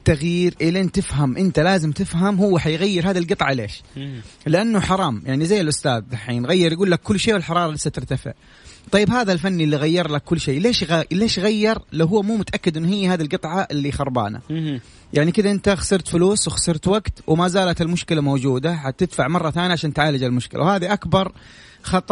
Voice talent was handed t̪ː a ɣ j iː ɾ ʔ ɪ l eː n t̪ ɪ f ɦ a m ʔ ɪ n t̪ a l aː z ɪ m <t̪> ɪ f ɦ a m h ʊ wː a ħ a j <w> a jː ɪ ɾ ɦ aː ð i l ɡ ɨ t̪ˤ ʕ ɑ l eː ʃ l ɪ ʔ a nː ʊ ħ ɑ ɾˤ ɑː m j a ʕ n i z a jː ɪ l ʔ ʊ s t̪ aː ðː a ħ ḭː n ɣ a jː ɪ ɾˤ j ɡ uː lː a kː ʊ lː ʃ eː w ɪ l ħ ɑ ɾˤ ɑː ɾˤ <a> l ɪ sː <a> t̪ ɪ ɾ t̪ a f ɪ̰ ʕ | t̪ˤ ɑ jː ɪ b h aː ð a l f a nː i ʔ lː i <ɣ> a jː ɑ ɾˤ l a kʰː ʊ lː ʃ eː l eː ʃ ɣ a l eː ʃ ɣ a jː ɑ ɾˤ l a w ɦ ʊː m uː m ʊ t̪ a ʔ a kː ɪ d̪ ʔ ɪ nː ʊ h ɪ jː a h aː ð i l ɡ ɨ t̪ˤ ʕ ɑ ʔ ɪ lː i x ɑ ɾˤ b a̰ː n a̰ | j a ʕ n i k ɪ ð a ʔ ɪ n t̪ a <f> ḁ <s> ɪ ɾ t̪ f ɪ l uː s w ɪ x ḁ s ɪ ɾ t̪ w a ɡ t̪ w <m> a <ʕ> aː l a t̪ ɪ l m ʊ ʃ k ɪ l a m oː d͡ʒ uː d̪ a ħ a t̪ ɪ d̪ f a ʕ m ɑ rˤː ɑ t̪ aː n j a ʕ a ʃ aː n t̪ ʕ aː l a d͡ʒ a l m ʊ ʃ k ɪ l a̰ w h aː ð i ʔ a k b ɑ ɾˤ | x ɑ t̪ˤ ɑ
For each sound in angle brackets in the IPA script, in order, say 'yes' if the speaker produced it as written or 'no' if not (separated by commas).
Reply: yes, no, no, yes, yes, no, yes, yes, no